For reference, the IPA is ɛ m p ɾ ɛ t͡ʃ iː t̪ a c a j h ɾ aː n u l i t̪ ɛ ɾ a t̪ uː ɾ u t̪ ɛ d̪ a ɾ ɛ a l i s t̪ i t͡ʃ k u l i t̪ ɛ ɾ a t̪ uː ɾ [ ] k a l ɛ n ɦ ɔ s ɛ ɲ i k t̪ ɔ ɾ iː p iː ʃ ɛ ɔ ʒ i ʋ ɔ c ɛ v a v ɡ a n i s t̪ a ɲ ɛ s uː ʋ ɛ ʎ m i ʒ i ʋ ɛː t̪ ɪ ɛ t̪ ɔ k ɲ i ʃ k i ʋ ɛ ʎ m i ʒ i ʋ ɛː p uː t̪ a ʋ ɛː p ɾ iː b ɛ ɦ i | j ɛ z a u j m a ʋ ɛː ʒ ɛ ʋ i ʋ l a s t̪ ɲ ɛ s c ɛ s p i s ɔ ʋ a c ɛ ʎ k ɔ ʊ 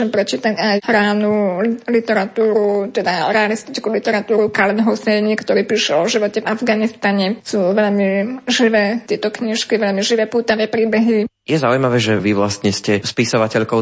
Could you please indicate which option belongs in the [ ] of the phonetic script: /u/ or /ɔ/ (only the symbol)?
u